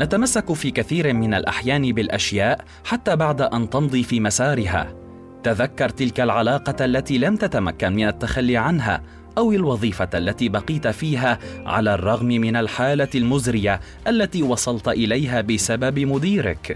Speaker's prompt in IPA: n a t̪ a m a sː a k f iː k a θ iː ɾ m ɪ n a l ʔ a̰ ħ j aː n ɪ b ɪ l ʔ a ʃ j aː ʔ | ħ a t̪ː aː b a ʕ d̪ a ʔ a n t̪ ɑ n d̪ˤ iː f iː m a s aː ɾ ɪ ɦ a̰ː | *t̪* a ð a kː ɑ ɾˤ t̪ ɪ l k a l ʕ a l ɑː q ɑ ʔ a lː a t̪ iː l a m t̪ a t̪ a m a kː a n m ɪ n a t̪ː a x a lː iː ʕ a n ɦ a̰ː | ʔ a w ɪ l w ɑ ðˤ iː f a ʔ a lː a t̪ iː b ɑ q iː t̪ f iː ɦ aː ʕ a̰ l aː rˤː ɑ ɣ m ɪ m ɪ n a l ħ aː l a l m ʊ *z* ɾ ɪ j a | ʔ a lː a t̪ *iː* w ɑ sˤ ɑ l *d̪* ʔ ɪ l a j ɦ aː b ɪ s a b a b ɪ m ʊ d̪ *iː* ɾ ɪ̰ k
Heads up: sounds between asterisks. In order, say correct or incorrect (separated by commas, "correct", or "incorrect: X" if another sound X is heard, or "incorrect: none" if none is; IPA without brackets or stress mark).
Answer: correct, correct, correct, incorrect: t̪, correct